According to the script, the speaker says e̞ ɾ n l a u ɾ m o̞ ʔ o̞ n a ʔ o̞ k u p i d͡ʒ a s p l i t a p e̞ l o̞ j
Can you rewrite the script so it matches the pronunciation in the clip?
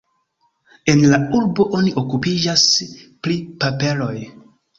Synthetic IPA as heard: e̞ n l a u ɾ b o̞ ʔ o̞ n i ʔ o̞ k u p i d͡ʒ a s p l i p a p e̞ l o̞ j